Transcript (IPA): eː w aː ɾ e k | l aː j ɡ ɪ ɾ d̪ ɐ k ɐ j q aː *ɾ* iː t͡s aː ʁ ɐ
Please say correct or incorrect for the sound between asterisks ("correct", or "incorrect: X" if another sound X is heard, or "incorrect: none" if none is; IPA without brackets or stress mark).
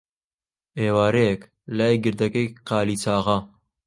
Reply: incorrect: l